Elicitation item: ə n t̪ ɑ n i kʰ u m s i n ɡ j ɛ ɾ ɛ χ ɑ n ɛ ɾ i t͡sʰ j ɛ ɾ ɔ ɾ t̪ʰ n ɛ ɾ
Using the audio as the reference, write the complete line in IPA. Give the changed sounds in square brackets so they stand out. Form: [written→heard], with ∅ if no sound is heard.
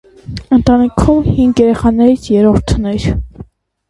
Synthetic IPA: ə n t̪ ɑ n i kʰ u m [s→h] i [n→ŋ] ɡ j ɛ ɾ ɛ χ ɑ n ɛ ɾ i t͡sʰ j ɛ ɾ ɔ ɾ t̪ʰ n ɛ ɾ